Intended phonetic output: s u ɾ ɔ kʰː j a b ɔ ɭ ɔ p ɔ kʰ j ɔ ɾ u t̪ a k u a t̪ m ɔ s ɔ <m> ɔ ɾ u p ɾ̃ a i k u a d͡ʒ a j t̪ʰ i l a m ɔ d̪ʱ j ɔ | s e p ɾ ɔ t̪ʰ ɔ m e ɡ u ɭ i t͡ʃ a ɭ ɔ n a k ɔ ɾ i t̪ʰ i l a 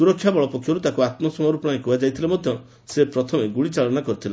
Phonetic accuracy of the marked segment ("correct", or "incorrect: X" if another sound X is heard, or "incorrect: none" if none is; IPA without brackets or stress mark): correct